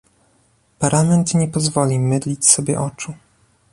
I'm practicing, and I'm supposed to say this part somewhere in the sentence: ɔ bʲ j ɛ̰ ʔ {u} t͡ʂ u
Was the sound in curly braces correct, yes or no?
no